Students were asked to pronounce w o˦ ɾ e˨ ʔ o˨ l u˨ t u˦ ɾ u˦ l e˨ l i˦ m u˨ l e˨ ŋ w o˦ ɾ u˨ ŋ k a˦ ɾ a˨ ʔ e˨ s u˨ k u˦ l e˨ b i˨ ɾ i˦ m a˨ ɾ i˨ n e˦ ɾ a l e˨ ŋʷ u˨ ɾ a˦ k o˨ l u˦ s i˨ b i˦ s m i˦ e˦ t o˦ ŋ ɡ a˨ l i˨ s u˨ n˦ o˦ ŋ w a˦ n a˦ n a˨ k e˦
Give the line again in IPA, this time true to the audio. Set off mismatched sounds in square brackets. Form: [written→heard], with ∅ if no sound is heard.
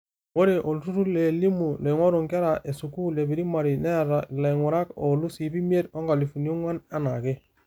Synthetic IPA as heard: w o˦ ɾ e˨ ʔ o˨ l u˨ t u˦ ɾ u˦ l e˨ l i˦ m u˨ l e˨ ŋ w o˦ ɾ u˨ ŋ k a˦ ɾ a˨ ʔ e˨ s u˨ k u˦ l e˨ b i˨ ɾ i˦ m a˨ ɾ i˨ n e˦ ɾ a l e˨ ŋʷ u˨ ɾ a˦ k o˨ l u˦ s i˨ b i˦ [s→∅] m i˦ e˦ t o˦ ŋ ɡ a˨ l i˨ [s→f] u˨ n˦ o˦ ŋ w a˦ n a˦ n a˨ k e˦

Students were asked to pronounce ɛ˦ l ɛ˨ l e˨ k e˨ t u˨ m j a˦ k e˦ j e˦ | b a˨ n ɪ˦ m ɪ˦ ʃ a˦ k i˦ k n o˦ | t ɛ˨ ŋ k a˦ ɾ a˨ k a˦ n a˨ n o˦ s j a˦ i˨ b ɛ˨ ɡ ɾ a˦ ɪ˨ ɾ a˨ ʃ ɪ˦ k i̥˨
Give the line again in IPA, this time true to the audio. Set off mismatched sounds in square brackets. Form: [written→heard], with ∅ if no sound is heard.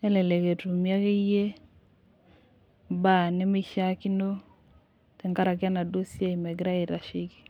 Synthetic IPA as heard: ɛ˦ l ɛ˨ l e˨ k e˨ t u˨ m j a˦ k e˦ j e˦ | b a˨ n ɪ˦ m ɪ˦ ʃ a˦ k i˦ [k→∅] n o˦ | t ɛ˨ ŋ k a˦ ɾ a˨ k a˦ n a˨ [n→d] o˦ s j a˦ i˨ [b→m] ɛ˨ ɡ ɾ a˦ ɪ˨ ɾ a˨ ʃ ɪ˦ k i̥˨

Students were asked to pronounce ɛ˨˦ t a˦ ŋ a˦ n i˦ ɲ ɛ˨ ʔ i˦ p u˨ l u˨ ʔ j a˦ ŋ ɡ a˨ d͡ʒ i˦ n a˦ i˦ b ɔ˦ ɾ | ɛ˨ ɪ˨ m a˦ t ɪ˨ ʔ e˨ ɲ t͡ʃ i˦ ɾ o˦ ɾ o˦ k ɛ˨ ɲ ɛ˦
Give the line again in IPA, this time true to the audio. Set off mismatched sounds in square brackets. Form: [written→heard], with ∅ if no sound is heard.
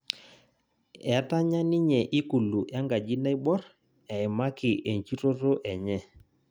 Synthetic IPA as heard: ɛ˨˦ t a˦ [ŋ→ɲ] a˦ n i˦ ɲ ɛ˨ ʔ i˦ [p→k] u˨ l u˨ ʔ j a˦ ŋ ɡ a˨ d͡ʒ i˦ n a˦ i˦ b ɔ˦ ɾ | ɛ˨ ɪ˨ m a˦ [t→k] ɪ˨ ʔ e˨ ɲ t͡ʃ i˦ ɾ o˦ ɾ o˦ [k→ʔ] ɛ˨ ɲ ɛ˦

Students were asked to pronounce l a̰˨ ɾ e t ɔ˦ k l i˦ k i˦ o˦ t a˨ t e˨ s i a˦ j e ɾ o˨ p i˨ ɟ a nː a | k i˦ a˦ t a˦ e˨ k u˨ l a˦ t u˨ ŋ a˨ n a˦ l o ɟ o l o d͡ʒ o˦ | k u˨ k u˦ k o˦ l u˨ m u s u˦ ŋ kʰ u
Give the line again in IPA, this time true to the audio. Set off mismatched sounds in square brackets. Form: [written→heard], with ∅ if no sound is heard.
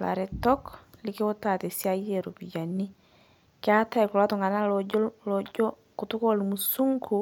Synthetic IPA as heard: l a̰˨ ɾ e t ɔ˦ k l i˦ k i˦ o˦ t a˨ t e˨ s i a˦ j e ɾ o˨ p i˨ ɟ a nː [a→i] | k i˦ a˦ t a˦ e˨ k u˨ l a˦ t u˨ ŋ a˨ n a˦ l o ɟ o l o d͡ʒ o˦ | k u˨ [k→t] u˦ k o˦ l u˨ m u s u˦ ŋ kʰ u

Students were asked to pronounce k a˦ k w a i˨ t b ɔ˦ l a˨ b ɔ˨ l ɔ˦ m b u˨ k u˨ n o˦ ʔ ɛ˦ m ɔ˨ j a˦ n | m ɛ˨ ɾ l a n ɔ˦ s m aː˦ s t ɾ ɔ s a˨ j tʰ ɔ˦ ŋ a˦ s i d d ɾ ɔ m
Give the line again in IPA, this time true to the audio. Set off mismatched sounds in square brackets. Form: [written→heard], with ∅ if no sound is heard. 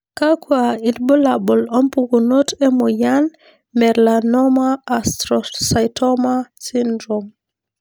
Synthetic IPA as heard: k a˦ k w a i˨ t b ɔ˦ l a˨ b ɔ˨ l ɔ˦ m [b→p] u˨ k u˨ n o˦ [ʔ→t] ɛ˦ m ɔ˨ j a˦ n | m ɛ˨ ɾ l a n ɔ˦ [s→∅] m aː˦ s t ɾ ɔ s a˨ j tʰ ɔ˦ [ŋ→m] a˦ s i [d→n] d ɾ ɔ m

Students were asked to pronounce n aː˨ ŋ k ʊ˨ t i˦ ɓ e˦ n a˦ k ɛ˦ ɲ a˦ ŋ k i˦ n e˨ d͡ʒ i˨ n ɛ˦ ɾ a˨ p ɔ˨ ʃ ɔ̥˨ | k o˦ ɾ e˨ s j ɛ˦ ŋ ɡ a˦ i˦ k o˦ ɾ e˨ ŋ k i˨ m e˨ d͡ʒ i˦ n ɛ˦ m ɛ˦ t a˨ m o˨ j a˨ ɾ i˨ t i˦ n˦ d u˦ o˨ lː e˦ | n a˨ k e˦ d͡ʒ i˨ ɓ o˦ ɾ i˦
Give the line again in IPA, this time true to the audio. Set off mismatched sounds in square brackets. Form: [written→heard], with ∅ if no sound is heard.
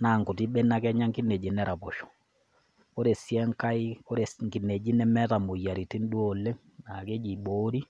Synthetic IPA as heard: n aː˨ ŋ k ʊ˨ t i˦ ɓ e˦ n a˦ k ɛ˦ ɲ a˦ ŋ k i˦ n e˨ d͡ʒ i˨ n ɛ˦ ɾ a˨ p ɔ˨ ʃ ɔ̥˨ | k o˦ ɾ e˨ s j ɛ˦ ŋ [ɡ→k] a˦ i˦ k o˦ ɾ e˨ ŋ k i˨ [m→n] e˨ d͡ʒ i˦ n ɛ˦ m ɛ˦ t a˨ m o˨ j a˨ ɾ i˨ t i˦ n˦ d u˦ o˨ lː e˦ | n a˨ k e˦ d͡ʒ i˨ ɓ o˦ ɾ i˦

